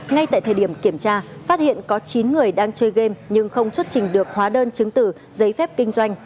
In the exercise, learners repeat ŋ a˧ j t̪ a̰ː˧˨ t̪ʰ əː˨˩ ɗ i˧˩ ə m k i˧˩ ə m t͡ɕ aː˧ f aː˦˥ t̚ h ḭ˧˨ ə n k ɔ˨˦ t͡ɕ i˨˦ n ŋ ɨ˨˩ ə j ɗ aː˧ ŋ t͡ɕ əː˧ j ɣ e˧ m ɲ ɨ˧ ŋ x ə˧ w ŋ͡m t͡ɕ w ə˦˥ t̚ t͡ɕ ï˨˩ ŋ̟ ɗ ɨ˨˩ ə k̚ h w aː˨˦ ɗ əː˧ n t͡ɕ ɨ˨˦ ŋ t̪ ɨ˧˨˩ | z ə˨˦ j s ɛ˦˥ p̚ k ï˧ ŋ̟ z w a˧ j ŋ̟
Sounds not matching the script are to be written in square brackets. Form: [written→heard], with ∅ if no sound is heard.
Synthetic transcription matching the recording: ŋ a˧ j t̪ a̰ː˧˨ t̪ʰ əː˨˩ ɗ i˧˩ ə m k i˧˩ ə m t͡ɕ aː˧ f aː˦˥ t̚ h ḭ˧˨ ə n k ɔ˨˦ t͡ɕ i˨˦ n ŋ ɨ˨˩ ə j ɗ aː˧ ŋ t͡ɕ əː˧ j ɣ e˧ m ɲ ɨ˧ ŋ x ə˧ w ŋ͡m t͡ɕ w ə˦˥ t̚ t͡ɕ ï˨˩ ŋ̟ ɗ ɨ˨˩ ə k̚ h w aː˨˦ ɗ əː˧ n t͡ɕ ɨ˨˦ ŋ t̪ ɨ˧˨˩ | z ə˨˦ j [s→f] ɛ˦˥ p̚ k ï˧ ŋ̟ z w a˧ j ŋ̟